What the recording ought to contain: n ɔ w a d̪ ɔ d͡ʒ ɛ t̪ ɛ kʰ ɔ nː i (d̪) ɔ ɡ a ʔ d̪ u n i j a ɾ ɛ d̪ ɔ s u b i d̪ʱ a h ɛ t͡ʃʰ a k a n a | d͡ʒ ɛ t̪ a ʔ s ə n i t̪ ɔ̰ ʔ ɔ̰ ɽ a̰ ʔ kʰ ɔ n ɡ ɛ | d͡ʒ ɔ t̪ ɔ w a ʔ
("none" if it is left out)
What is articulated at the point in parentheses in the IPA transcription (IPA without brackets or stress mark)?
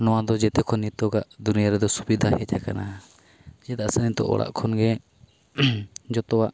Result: t̪